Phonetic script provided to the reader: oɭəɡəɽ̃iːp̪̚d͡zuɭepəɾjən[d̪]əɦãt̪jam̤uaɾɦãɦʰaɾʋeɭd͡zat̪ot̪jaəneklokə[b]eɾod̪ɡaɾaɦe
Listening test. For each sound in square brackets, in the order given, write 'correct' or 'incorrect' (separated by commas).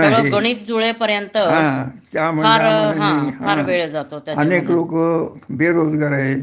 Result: incorrect, correct